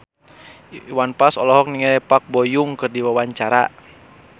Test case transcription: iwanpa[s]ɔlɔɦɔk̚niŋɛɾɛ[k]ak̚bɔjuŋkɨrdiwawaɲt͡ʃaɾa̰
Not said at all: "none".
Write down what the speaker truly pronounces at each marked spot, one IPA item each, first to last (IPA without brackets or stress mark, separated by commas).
s, p